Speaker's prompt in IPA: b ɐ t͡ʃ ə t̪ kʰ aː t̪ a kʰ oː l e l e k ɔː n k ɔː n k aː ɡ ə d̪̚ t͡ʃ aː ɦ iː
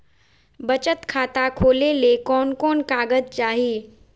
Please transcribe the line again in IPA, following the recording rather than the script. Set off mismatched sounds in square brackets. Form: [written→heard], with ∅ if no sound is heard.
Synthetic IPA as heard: b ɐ t͡ʃ ə t̪ kʰ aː t̪ a kʰ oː l e l e k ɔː n k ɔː n k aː ɡ ə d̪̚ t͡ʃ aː ɦ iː